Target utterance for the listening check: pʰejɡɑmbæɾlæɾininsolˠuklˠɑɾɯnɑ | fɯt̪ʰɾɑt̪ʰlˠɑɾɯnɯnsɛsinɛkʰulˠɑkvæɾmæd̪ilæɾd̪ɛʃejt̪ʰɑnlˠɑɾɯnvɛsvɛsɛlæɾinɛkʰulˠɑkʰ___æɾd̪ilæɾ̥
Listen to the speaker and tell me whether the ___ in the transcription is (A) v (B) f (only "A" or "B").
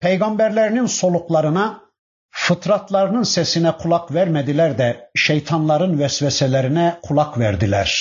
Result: A